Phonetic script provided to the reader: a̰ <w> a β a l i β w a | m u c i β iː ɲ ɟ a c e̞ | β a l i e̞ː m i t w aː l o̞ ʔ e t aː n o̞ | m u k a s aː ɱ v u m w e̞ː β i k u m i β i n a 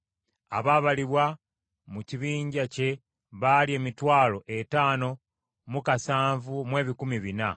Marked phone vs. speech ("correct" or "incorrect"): incorrect